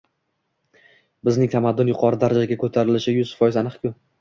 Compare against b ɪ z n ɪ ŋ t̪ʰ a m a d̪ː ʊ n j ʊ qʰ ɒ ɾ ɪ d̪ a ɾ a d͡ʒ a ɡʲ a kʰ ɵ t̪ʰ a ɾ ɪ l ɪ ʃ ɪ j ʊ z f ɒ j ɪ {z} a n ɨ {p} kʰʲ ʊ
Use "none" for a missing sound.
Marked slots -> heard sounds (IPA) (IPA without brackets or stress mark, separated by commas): z, q